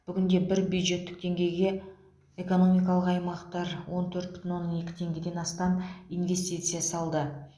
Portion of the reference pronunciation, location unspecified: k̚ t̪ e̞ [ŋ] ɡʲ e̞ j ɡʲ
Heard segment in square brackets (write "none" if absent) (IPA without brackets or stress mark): ŋ